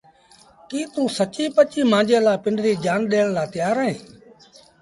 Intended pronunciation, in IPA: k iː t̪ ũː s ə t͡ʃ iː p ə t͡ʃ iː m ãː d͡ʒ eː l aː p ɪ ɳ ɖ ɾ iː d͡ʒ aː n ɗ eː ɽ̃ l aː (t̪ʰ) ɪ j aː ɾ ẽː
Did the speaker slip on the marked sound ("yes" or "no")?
yes